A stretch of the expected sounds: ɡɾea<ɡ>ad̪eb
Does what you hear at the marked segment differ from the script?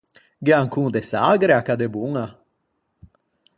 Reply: yes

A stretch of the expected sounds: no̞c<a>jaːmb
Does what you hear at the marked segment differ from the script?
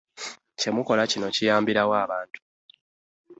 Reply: yes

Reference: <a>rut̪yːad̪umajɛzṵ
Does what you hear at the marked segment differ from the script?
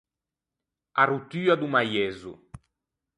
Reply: no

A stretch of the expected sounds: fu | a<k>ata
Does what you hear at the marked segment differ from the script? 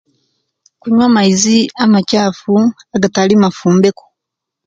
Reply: yes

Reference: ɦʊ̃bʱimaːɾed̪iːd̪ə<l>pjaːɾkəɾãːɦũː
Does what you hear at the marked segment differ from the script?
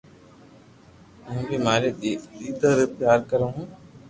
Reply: yes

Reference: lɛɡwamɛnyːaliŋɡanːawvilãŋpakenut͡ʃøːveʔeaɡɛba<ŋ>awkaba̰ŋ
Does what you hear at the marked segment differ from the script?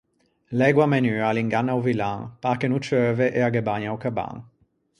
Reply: yes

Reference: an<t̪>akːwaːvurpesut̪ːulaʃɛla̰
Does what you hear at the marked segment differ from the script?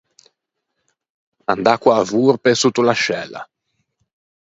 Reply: yes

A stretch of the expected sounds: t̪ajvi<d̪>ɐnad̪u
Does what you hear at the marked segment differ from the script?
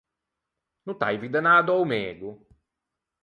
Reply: no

